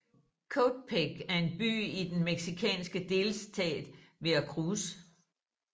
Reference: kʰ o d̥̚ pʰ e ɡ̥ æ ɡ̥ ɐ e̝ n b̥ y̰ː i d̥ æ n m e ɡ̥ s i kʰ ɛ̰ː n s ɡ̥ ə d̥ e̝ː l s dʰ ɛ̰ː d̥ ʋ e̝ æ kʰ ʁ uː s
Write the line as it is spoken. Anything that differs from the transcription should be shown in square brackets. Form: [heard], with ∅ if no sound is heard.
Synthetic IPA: kʰ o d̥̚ pʰ e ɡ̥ æ [∅] ɐ e̝ n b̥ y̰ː i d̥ [e] n m e ɡ̥ s i kʰ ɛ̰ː n s ɡ̥ ə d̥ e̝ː l s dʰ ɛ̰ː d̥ ʋ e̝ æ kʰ ʁ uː s